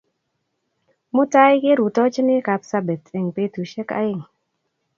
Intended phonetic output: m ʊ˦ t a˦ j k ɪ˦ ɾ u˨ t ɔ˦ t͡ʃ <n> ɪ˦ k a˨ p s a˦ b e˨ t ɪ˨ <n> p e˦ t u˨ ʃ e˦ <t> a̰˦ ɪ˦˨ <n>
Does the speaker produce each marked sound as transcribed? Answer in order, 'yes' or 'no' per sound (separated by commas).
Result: yes, no, no, no